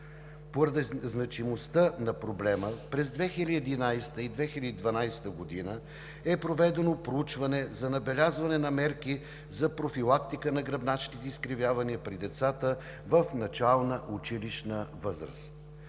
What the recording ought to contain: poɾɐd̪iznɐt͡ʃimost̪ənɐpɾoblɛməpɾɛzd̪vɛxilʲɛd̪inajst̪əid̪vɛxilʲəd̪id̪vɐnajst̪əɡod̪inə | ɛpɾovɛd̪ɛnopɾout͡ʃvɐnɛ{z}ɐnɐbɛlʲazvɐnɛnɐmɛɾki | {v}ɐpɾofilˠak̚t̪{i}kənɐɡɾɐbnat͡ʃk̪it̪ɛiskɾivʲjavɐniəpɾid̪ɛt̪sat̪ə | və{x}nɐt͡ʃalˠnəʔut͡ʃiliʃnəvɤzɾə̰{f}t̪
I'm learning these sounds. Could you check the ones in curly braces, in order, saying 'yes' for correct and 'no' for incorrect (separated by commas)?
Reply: yes, no, yes, no, no